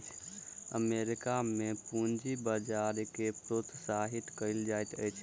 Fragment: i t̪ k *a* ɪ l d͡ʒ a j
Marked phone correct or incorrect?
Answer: incorrect